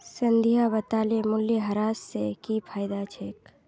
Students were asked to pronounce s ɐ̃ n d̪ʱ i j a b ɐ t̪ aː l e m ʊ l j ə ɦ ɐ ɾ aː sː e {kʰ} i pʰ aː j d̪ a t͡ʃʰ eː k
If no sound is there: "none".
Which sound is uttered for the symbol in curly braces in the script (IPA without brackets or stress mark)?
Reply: k